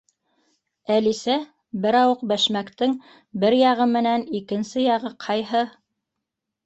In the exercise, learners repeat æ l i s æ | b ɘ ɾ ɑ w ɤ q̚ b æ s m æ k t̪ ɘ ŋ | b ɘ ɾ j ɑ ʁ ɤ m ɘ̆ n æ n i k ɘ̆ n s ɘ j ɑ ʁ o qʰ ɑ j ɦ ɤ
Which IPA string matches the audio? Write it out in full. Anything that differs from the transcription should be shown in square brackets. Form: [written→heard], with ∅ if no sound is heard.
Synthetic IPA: æ l i s æ | b ɘ ɾ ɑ w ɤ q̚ b æ [s→ʃ] m æ k t̪ ɘ ŋ | b ɘ ɾ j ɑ ʁ ɤ m ɘ̆ n æ n i k ɘ̆ n s ɘ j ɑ ʁ [o→ɤ] qʰ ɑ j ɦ ɤ